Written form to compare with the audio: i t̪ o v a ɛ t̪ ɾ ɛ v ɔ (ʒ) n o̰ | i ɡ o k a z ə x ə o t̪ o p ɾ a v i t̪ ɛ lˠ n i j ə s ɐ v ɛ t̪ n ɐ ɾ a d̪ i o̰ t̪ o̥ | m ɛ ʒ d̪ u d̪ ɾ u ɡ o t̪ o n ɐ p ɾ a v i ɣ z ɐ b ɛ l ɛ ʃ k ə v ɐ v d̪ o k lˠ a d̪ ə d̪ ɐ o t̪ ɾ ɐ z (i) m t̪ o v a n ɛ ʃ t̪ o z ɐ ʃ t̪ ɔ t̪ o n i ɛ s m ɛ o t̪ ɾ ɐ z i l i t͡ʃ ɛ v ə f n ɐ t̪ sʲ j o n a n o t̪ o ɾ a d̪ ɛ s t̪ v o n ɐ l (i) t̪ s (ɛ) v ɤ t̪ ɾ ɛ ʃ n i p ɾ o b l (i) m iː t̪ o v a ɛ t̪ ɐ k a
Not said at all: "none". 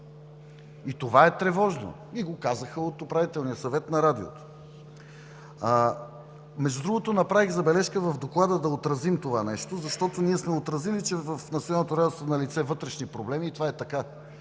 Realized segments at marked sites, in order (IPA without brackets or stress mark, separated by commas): ʒ, i, i, ɛ, ɛ